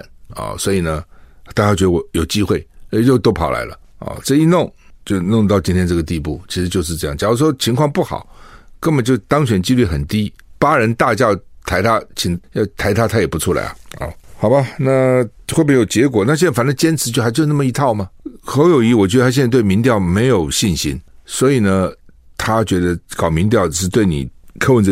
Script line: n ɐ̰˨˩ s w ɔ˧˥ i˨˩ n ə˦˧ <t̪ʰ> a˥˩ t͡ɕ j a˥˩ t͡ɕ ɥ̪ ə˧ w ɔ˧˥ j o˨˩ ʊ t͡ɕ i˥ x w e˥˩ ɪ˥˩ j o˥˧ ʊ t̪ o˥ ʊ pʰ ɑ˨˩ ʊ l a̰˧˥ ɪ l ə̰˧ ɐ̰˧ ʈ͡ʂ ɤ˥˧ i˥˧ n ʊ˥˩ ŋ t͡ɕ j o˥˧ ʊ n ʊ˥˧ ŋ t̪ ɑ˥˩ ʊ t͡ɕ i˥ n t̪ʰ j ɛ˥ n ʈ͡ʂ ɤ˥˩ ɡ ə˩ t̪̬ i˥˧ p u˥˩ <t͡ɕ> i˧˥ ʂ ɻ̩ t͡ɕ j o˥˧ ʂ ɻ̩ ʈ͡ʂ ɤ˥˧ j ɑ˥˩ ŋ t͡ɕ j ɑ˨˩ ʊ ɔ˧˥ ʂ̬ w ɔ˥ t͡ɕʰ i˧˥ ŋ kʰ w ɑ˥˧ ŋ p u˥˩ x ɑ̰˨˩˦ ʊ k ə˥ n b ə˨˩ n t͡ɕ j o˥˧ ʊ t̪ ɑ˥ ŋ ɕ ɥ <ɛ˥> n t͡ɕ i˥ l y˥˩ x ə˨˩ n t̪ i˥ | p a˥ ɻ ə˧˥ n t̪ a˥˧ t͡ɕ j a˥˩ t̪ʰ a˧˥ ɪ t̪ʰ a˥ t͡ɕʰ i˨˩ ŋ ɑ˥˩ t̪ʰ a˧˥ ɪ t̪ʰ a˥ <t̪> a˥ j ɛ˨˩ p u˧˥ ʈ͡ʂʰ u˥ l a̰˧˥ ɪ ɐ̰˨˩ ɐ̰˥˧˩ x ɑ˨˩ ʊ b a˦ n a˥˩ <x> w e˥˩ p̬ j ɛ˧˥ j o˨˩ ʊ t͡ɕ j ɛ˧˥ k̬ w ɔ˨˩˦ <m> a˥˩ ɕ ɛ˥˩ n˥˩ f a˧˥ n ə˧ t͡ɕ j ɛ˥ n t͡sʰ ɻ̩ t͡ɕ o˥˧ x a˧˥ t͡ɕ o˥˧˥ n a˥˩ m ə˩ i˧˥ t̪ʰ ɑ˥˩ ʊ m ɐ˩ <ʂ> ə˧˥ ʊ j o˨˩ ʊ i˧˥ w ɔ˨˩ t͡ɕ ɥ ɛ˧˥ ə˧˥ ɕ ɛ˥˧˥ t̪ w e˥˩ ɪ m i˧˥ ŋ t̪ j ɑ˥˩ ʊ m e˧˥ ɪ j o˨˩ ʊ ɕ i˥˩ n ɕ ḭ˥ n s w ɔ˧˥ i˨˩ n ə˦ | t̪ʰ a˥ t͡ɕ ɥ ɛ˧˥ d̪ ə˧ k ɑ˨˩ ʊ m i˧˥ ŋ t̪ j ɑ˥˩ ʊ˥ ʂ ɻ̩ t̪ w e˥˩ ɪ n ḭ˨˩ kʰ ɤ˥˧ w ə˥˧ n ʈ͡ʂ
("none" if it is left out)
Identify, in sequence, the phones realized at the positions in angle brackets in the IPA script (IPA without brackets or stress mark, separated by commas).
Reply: t̪, t͡ɕʰ, ɛ˨˩, t̪ʰ, x, n, x